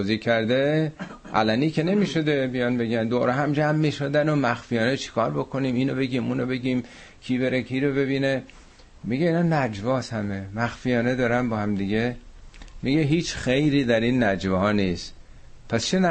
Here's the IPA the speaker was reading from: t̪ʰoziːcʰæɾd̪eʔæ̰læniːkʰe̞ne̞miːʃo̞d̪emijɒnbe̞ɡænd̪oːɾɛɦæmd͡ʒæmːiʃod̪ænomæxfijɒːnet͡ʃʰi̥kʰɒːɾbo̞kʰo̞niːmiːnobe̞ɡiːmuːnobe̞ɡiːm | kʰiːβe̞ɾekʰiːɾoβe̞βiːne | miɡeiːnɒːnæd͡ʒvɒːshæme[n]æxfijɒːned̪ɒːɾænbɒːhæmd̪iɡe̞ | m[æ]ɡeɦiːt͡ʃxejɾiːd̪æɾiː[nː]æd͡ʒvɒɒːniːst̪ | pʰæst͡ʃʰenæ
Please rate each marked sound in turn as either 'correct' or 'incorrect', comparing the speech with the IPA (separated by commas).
incorrect, incorrect, correct